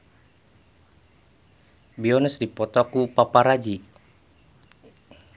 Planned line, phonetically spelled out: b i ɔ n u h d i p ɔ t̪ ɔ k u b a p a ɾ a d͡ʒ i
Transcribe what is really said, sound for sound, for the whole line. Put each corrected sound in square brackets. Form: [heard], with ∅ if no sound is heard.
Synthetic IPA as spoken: b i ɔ n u [s] d i p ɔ t̪ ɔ k u [p] a p a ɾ a d͡ʒ i

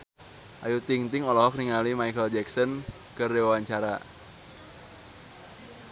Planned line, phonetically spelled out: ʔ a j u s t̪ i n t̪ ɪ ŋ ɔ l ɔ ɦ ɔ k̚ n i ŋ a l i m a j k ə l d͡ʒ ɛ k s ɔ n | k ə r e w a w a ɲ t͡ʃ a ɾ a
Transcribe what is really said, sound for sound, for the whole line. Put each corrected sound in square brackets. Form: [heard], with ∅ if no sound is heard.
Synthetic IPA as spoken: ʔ a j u [∅] t̪ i [ŋ] t̪ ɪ ŋ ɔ l ɔ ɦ ɔ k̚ n i ŋ a l i m a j k ə l d͡ʒ ɛ k s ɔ n | k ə r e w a w a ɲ t͡ʃ a ɾ a

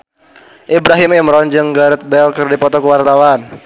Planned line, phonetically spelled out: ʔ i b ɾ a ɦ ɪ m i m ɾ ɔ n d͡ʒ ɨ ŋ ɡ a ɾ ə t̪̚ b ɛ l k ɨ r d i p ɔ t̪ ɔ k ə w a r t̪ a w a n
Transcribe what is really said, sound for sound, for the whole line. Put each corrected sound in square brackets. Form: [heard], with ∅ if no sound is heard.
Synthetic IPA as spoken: ʔ i b ɾ a ɦ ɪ m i m ɾ ɔ n d͡ʒ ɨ ŋ ɡ a ɾ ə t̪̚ b ɛ l k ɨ r d i p ɔ t̪ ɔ k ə w a r t̪ a w a n

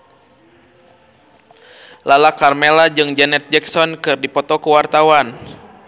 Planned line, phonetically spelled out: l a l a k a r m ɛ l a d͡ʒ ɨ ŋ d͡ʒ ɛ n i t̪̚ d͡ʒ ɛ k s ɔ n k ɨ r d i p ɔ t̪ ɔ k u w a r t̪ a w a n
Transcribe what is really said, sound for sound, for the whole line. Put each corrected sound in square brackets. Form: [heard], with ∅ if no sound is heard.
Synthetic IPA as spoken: l a l a k a r m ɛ l a d͡ʒ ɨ ŋ d͡ʒ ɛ n [ɛ] t̪̚ d͡ʒ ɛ k s ɔ n k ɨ r d i p ɔ t̪ ɔ k u w a r t̪ a w a n

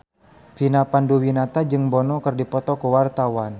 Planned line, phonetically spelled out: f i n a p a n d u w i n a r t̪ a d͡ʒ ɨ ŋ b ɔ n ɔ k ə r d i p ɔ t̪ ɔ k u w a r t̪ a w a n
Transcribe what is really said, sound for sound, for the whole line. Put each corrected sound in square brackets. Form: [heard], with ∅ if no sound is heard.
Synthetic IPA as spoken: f i n a p a n d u w i n a [∅] t̪ a d͡ʒ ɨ ŋ b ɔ n ɔ k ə r d i p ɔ t̪ ɔ k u w a r t̪ a w a n

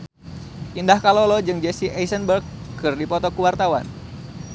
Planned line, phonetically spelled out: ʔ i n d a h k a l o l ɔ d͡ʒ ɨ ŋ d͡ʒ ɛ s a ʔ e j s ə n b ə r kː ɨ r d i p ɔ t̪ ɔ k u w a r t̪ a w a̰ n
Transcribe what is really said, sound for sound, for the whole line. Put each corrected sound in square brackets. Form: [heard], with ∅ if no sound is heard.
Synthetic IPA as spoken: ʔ i n d a h k a l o l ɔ d͡ʒ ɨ ŋ d͡ʒ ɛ s [i] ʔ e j s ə n b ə r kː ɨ r d i p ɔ t̪ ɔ k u w a r t̪ a w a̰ n

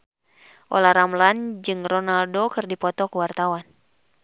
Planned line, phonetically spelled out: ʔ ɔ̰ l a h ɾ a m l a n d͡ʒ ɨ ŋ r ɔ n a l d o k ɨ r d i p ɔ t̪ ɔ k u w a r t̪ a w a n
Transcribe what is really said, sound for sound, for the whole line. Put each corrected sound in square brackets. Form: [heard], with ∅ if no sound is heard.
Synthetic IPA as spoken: ʔ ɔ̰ l a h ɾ a m l a n d͡ʒ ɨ ŋ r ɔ n a l d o k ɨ r d i p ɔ t̪ ɔ k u w a r t̪ a w a n

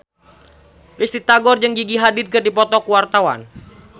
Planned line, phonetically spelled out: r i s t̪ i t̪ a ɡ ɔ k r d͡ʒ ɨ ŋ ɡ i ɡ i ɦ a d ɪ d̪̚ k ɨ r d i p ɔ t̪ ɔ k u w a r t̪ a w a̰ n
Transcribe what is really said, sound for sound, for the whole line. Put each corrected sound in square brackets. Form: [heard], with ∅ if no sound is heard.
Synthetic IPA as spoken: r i s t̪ i t̪ a ɡ ɔ [∅] r d͡ʒ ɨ ŋ ɡ i ɡ i ɦ a d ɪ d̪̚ k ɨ r d i p ɔ t̪ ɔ k u w a r t̪ a w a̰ n

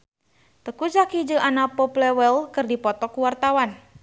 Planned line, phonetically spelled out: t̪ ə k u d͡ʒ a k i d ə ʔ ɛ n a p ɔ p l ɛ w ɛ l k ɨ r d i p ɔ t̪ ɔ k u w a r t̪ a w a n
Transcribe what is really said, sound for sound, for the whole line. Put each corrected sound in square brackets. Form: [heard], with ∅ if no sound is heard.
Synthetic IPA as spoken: t̪ ə k u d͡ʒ a k i [d͡ʒ] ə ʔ [a] n a p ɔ p l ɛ w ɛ l k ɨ r d i p ɔ t̪ ɔ k u w a r t̪ a w a n

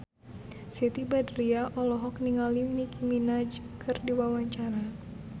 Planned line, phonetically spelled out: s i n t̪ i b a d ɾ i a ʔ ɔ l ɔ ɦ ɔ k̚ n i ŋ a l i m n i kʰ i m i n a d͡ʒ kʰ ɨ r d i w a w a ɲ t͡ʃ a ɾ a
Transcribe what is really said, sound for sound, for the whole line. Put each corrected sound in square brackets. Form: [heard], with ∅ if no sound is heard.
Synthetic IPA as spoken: s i [∅] t̪ i b a d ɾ i a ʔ ɔ l ɔ ɦ ɔ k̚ n i ŋ a l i m n i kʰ i m i n a d͡ʒ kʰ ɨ r d i w a w a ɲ t͡ʃ a ɾ a

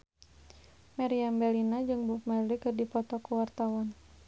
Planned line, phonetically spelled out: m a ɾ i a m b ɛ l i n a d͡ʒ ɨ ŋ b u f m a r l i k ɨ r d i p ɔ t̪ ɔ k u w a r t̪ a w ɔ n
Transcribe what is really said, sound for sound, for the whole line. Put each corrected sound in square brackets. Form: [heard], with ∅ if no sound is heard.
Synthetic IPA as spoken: m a ɾ i a m b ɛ l i n a d͡ʒ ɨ ŋ b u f m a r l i k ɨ r d i p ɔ t̪ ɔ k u w a r t̪ a w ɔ n

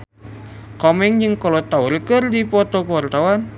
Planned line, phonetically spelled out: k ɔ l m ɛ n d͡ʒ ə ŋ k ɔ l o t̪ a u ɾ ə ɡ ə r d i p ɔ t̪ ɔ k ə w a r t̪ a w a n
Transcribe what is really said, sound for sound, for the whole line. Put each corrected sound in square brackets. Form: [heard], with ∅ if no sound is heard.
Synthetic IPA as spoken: k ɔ [∅] m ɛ [ŋ] d͡ʒ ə ŋ k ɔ l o t̪ a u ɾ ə [k] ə r d i p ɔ t̪ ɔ k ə w a r t̪ a w a n

